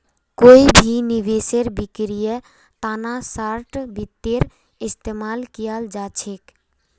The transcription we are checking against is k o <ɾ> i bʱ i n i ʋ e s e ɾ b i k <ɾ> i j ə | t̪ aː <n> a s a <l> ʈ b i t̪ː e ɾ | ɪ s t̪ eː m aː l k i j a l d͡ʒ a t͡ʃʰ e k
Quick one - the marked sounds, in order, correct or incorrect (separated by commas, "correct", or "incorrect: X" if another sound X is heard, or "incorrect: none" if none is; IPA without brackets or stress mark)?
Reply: incorrect: none, correct, correct, incorrect: ɾ